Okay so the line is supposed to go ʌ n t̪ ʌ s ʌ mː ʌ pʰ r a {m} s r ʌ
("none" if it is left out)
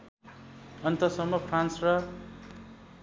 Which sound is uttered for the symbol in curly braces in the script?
n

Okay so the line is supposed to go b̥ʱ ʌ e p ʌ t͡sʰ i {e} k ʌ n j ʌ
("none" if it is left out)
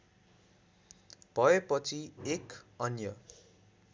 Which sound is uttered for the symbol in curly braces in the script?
e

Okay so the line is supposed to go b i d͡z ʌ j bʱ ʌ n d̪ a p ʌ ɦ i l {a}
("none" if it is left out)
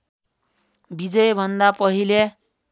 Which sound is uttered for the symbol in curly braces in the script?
e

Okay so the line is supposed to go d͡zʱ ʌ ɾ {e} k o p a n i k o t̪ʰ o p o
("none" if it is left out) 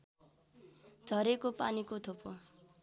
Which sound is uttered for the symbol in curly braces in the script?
e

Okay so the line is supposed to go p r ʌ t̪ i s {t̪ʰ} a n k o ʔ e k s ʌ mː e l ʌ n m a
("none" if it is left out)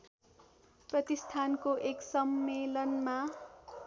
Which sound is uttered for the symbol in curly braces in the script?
t̪ʰ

